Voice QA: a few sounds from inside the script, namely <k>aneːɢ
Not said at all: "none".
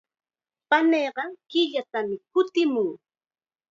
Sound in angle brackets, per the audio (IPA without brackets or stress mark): p